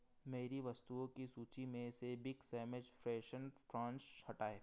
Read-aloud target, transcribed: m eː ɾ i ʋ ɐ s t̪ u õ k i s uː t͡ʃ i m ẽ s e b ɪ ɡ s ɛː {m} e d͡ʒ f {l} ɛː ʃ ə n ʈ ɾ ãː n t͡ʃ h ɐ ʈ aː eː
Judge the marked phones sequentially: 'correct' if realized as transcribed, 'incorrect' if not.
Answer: correct, incorrect

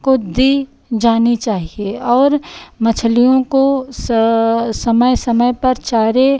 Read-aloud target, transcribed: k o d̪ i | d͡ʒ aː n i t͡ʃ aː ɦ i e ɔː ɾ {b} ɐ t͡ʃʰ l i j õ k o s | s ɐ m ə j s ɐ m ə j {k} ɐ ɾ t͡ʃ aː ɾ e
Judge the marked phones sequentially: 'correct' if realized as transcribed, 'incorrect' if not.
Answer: incorrect, incorrect

